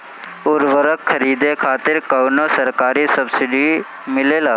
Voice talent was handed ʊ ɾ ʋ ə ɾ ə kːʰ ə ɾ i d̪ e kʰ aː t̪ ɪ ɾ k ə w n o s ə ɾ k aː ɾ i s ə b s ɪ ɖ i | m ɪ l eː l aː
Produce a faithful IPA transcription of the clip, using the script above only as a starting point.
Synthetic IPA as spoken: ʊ ɾ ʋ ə ɾ ə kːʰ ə ɾ iː d̪ e kʰ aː t̪ ɪ ɾ k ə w n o s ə ɾ k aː ɾ i s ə b s ɪ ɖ i | m ɪ l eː l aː